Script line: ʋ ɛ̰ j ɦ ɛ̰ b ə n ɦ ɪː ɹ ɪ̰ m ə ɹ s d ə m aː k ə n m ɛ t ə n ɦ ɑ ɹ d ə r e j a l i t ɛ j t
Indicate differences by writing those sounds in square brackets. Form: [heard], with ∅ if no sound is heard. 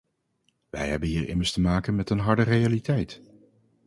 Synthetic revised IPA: ʋ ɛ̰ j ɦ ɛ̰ b ə n ɦ [iː] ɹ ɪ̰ m ə ɹ s [t] ə m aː k ə n m ɛ t ə n ɦ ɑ ɹ d ə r e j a l i t ɛ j t

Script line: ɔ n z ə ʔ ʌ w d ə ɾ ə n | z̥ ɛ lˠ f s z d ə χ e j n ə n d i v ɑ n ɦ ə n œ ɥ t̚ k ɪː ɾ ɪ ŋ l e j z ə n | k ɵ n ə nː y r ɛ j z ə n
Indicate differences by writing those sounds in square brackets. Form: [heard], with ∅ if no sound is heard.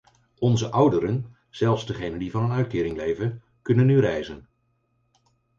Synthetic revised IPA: ɔ n z ə ʔ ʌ w d ə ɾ ə n | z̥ ɛ lˠ f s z d ə χ e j n ə n d i v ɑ n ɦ ə n œ ɥ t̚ k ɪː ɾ ɪ ŋ l e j [v] ə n | k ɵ n ə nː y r ɛ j z ə n

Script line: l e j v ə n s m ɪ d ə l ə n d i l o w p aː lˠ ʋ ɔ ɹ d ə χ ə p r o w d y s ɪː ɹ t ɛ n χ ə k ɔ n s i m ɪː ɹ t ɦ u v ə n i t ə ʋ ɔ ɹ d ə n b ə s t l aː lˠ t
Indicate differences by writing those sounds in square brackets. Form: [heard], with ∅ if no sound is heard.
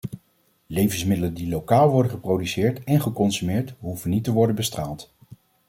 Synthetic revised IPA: l e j v ə n s m ɪ d ə l ə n d i l o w [k] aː lˠ ʋ ɔ ɹ d ə χ ə p r o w d y s ɪː ɹ t ɛ n χ ə k ɔ n s [y] m ɪː ɹ t ɦ u v ə n i t ə ʋ ɔ ɹ d ə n b ə s t [r] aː lˠ t

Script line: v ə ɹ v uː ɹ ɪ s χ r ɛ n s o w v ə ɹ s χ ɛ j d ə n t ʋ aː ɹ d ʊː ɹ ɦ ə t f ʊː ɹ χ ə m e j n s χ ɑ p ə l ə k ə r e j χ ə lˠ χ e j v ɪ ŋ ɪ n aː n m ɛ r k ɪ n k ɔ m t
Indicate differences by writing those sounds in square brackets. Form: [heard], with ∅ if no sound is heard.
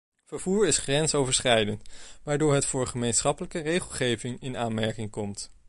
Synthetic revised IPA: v ə ɹ v uː ɹ ɪ s χ r ɛ n s o w v ə ɹ s χ ɛ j d ə n t ʋ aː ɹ d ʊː ɹ ɦ ə t f ʊː ɹ χ ə m e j n s χ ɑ p ə l ə k ə r e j χ ə lˠ χ e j v ɪ ŋ ɪ n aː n m ɛ [ɹ] k ɪ [ŋ] k ɔ m t

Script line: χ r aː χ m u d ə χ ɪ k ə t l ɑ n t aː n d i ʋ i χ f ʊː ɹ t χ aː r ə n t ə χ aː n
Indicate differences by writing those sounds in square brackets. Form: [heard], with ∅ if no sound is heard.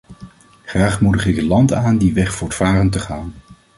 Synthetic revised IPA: χ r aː χ m u d ə χ ɪ k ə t l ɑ n t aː n d i ʋ [ɛ] χ f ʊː ɹ t [f] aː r ə n t ə χ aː n

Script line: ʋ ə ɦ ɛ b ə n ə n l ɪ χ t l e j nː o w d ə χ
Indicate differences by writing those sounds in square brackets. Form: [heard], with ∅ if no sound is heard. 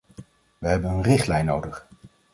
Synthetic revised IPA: ʋ ə ɦ ɛ b ə n ə n [r] ɪ χ t l [ɛ] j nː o w d ə χ

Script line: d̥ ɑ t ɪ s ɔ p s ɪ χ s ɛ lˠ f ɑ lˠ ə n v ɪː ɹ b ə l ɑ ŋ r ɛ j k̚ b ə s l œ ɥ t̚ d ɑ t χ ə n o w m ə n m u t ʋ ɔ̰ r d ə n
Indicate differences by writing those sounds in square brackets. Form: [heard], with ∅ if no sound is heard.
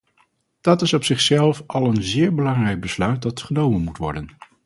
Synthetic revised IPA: d̥ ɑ t ɪ s ɔ p s ɪ χ s ɛ lˠ f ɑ lˠ ə n [z] ɪː ɹ b ə l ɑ ŋ r ɛ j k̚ b ə s l œ ɥ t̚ d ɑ t χ ə n o w m ə n m u t ʋ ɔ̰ [ɹ] d ə n

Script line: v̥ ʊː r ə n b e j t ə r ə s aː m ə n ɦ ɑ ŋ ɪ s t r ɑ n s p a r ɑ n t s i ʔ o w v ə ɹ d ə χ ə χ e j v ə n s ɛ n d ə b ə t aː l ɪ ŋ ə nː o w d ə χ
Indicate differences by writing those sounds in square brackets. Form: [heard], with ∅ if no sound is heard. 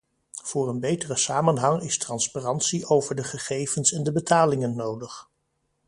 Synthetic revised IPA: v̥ ʊː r ə n b e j t ə r ə s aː m ə n ɦ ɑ ŋ ɪ s t r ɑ n s p a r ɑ n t s i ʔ o w v ə ɹ d ə χ ə χ e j v ə n s ɛ n d ə b ə t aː l ɪ ŋ ə nː o w d ə χ

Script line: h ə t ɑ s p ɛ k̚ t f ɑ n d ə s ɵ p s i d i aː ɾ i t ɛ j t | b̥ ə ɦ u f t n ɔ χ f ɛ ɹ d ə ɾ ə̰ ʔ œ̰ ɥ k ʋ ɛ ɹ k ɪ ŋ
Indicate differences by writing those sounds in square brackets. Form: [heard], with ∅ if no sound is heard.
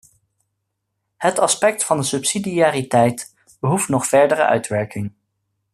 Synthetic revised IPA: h ə t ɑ s p ɛ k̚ t f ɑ n d ə s ɵ p s i d i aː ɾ i t ɛ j t | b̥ ə ɦ u f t n ɔ χ f ɛ ɹ d ə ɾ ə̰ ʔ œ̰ ɥ [t] ʋ ɛ ɹ k ɪ ŋ

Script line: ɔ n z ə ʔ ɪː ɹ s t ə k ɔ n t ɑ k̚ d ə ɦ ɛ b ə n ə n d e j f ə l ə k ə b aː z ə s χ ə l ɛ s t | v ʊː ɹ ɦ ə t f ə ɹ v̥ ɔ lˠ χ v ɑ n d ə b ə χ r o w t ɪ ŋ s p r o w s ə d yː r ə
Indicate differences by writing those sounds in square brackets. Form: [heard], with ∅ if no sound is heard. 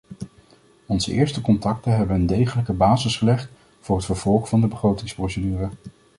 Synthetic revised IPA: ɔ n z ə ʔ ɪː ɹ s t ə k ɔ n t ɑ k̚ [t] ə ɦ ɛ b ə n ə n d e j [χ] ə l ə k ə b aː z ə s χ ə l ɛ [χ] t | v ʊː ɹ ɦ ə t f ə ɹ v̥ ɔ lˠ χ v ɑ n d ə b ə χ r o w t ɪ ŋ s p r o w s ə d yː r ə

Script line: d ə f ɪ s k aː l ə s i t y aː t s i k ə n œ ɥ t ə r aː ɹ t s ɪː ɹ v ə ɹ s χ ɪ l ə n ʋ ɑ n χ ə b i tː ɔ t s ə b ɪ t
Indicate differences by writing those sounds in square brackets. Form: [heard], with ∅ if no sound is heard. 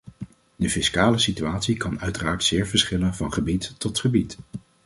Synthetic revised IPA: d ə f ɪ s k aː l ə s i t y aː t s i k [ɑ] n œ ɥ t ə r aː ɹ t s ɪː ɹ v ə ɹ s χ ɪ l ə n [v] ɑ n χ ə b i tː ɔ t [χ] ə b [i] t

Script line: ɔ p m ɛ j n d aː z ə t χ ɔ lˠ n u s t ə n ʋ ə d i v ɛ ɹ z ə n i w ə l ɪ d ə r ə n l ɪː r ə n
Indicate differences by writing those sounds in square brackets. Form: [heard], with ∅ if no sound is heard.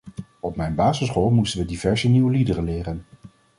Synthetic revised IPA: ɔ p m ɛ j n [b] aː z ə [s] χ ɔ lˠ [m] u s t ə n ʋ ə d i v ɛ ɹ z ə n i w ə l [i] d ə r ə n l ɪː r ə n

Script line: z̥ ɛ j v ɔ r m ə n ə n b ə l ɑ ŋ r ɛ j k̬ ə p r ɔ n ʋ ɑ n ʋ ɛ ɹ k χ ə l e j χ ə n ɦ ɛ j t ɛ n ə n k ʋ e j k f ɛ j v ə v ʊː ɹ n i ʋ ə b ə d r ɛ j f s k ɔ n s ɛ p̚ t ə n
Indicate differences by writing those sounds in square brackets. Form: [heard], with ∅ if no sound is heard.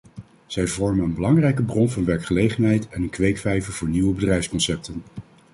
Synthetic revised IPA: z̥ ɛ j v ɔ [ɹ] m ə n ə n b ə l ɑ ŋ r ɛ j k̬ ə [b] r ɔ n [v] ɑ n ʋ ɛ ɹ k χ ə l e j χ ə n ɦ ɛ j t ɛ n ə n k ʋ e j k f ɛ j v ə v ʊː ɹ n i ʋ ə b ə d r ɛ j f s k ɔ n s ɛ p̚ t ə n

